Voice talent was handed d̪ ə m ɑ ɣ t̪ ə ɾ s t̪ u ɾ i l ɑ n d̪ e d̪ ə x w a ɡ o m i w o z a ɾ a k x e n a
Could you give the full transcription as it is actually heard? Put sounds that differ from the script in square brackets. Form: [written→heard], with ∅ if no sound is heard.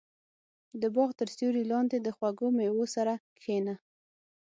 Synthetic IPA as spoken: d̪ ə [m→b] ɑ ɣ t̪ ə ɾ s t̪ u ɾ i l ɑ n d̪ e d̪ ə x w a ɡ o m [i→e] w o [z→s] a ɾ a k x e n a